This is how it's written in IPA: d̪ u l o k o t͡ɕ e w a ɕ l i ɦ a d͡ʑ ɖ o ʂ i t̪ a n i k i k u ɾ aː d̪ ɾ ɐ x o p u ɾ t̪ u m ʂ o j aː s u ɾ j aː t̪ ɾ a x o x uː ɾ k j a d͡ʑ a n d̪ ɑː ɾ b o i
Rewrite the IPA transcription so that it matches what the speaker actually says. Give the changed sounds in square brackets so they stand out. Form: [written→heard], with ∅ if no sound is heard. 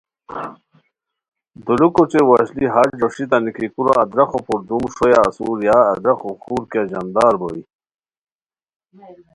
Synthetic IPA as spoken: d̪ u l [o→u] k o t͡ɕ e w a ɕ l i ɦ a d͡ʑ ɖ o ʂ i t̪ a n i k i k u ɾ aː d̪ ɾ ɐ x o p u ɾ [t̪→d̪] u m ʂ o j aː s u ɾ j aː [t̪→d̪] ɾ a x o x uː ɾ k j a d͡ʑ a n d̪ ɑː ɾ b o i